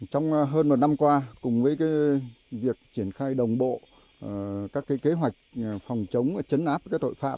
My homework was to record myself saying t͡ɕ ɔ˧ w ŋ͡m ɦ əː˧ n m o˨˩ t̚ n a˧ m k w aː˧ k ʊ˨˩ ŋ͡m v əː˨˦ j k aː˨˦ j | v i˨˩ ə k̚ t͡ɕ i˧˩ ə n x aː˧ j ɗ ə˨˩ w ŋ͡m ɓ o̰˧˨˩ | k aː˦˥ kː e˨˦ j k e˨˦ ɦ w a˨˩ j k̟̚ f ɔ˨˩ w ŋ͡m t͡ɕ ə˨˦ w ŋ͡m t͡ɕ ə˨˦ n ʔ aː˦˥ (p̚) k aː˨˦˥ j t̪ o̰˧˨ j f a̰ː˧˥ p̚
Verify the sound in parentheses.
correct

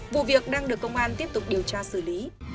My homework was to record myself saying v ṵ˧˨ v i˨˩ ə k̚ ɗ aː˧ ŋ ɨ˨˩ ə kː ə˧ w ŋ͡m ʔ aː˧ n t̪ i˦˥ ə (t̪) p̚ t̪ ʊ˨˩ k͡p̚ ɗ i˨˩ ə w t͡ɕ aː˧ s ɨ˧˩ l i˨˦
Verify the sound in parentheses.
incorrect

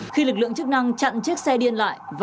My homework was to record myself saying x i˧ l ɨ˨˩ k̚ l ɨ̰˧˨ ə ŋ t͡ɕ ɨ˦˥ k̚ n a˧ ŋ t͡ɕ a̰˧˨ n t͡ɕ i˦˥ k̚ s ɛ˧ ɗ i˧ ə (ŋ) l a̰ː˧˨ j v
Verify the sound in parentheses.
incorrect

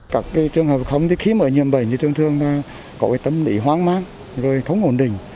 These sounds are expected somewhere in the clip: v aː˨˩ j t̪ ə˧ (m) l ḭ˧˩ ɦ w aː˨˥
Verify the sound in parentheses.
correct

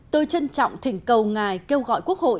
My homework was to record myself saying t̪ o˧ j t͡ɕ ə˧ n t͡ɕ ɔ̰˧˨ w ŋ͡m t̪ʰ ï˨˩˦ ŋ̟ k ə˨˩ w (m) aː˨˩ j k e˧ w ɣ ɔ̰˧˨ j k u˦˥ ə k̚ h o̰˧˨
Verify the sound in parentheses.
incorrect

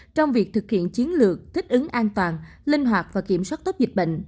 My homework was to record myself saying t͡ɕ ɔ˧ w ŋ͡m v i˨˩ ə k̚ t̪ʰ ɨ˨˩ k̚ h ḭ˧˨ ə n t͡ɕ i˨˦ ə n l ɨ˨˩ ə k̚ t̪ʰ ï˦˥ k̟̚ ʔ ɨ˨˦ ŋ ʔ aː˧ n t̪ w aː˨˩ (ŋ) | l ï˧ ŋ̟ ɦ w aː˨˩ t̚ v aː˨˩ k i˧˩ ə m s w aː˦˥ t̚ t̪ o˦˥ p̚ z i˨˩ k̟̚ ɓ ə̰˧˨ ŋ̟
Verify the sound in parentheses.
incorrect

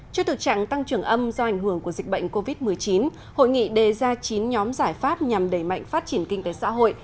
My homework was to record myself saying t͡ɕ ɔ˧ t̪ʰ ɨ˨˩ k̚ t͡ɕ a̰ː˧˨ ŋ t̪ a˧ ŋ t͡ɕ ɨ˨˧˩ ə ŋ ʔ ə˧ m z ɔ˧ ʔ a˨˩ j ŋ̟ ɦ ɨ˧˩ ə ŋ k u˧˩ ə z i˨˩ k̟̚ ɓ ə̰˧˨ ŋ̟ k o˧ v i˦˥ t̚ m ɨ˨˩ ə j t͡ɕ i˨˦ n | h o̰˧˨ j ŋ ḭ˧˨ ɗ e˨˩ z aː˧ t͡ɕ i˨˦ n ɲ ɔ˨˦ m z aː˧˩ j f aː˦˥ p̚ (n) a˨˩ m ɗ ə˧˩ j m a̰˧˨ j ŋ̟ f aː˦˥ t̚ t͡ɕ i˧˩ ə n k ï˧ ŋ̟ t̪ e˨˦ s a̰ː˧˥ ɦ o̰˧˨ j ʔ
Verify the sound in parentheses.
incorrect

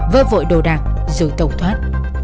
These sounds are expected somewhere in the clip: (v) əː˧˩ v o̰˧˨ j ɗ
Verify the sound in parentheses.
correct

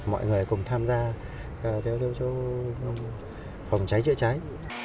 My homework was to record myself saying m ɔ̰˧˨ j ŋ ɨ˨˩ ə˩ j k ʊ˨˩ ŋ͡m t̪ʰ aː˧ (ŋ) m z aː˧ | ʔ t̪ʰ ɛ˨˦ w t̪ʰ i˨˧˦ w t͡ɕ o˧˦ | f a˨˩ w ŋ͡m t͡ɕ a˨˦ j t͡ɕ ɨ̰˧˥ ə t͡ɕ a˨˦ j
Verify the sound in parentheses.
incorrect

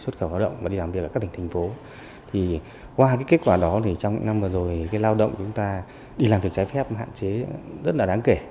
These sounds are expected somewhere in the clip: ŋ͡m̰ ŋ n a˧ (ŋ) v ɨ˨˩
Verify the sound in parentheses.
incorrect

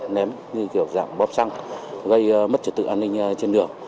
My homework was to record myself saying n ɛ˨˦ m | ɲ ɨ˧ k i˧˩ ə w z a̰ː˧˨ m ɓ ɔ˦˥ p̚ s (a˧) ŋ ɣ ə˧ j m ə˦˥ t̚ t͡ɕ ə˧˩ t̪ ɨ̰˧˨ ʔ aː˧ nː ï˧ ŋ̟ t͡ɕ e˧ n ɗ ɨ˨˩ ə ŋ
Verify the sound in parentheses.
correct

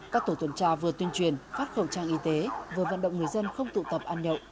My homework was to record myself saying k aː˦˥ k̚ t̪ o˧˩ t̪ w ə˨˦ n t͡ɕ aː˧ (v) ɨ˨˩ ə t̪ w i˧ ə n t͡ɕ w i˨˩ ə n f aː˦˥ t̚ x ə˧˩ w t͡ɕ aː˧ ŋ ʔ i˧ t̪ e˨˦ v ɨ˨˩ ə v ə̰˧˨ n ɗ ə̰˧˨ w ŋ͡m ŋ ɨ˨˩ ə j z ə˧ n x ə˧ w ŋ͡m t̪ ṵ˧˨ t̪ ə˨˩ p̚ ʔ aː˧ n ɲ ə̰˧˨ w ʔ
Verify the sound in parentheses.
correct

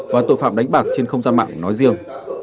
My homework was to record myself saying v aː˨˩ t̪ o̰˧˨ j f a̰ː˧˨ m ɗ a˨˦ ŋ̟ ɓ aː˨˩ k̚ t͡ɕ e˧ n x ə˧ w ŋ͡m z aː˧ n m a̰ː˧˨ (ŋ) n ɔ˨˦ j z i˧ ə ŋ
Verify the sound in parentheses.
correct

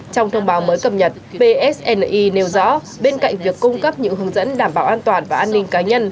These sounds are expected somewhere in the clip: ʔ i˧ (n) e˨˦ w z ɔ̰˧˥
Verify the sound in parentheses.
correct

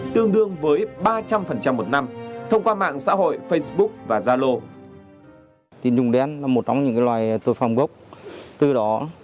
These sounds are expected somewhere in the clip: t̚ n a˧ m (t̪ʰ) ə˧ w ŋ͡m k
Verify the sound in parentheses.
correct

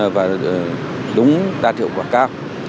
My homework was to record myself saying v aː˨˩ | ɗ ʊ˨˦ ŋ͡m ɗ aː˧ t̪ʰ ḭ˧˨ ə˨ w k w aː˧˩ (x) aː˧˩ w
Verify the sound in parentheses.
incorrect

